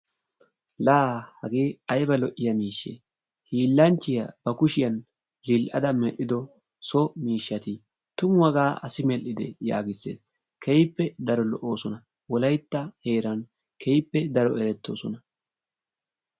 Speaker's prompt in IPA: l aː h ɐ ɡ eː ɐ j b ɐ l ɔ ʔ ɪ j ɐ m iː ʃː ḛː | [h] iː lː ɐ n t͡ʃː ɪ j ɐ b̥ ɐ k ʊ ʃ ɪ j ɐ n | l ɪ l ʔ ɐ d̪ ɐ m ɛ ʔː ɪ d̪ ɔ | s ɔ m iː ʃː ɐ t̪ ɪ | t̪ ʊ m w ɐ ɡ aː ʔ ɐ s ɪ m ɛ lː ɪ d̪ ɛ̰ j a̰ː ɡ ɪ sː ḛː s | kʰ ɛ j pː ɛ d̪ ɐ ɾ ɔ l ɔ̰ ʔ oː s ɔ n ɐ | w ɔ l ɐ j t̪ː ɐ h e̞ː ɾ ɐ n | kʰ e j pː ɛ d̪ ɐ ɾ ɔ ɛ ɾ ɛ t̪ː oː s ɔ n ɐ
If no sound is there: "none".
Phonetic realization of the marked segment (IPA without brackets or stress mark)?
h